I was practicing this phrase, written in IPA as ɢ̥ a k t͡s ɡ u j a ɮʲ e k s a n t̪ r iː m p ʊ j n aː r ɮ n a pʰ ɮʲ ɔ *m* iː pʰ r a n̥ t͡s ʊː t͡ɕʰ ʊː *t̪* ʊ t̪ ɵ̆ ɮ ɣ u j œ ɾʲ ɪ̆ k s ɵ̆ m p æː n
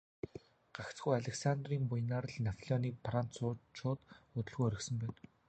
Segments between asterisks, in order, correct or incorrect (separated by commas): incorrect, correct